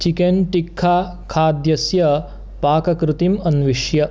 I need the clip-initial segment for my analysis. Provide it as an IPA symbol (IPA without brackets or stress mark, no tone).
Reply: t͡ʃ